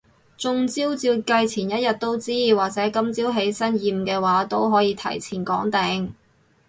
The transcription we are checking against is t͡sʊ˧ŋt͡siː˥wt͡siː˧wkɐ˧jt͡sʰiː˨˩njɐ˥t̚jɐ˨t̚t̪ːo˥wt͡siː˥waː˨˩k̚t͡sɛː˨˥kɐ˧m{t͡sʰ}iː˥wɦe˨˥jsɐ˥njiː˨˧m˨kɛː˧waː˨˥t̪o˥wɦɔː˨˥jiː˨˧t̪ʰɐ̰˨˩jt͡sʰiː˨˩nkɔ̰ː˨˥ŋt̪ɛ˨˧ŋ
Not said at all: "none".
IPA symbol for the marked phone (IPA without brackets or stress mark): t͡s